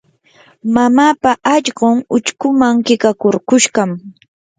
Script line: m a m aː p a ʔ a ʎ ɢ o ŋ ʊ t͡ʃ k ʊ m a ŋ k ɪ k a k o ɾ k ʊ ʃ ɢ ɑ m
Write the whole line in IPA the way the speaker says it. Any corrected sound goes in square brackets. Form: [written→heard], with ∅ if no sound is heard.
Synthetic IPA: m a m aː p a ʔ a ʎ ɢ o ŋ ʊ t͡ʃ k ʊ m a ŋ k ɪ k a k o ɾ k ʊ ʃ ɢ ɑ m